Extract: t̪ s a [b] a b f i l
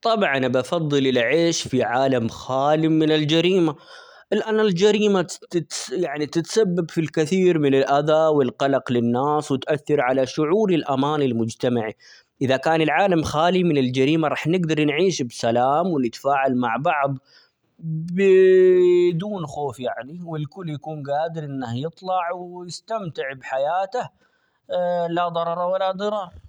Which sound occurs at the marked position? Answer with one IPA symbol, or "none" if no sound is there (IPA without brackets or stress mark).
bː